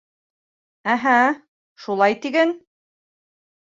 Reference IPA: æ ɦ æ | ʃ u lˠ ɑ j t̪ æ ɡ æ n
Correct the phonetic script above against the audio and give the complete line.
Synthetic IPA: æ ɦ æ | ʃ u lˠ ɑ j t̪ i ɡ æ n